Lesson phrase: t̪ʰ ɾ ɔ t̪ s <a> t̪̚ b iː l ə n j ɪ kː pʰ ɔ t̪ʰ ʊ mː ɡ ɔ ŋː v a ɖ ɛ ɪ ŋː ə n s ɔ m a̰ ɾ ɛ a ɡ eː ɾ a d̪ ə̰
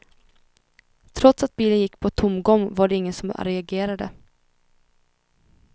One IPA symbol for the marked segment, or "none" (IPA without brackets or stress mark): a